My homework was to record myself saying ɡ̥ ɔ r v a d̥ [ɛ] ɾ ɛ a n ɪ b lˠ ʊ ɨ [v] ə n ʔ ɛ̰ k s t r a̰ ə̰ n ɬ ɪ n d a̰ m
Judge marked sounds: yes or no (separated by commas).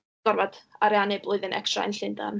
no, no